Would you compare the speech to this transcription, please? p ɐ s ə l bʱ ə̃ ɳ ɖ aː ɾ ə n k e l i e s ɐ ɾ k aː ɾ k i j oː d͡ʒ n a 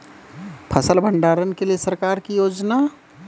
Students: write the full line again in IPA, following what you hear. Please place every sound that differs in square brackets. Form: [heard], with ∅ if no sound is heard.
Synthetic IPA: [pʰ] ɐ s ə l bʱ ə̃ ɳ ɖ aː ɾ ə n k e l i e s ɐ ɾ k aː ɾ k i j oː d͡ʒ n a

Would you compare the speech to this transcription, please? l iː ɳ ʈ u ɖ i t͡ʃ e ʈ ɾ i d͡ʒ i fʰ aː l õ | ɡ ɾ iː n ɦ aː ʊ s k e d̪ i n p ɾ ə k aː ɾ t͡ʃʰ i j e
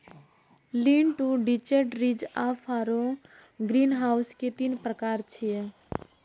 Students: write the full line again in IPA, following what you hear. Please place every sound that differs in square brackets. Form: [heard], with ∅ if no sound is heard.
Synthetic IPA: l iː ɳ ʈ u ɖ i t͡ʃ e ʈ ɾ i d͡ʒ [a] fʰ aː [ɾ] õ | ɡ ɾ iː n ɦ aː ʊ s k e [t̪] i n p ɾ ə k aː ɾ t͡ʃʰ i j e

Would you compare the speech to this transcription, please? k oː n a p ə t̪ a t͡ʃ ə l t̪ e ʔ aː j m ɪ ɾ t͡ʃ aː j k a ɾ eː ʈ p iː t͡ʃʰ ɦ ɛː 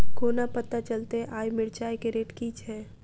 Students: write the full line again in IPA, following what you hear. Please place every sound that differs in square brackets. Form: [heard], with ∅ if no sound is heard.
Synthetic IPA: k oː n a p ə t̪ a t͡ʃ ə l t̪ e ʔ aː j m ɪ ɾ t͡ʃ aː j k [e] ɾ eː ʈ [k] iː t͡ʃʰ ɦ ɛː

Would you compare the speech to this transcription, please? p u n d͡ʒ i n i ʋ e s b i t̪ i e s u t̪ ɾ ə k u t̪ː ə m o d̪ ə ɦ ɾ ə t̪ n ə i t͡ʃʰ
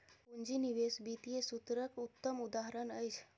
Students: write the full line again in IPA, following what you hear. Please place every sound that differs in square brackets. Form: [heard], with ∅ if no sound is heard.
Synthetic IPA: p u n d͡ʒ i n i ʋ e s b i t̪ i e s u t̪ ɾ ə k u t̪ː ə m [u] d̪ [a] ɦ ɾ ə [∅] n ə [j] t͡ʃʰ

